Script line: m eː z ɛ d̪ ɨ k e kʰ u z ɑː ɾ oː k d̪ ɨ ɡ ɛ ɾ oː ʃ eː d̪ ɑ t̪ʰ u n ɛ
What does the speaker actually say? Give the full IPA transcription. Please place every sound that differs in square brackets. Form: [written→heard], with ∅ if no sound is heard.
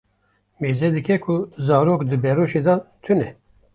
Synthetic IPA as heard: m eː z ɛ d̪ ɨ k [e→ɛ] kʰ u z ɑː ɾ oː k d̪ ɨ [ɡ→b] ɛ ɾ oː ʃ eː d̪ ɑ t̪ʰ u n ɛ